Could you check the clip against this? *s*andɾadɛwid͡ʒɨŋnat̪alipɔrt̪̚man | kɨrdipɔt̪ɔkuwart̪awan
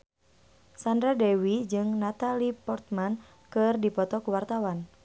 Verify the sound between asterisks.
correct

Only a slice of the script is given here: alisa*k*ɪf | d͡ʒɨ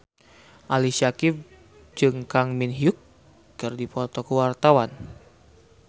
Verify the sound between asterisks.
correct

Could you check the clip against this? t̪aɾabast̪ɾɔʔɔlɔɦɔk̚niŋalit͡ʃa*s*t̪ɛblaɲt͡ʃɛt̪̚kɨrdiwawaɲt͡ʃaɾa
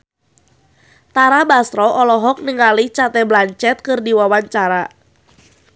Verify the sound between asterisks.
incorrect: none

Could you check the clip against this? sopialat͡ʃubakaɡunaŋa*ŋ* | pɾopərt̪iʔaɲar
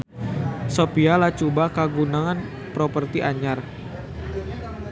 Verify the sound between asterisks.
incorrect: n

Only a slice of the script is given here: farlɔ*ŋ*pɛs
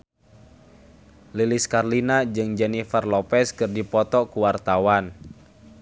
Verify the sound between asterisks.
incorrect: none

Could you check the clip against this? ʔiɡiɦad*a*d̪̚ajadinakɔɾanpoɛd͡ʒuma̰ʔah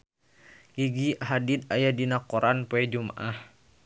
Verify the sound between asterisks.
incorrect: i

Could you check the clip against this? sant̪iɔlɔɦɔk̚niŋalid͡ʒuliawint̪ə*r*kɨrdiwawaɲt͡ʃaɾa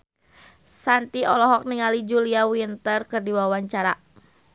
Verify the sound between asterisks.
correct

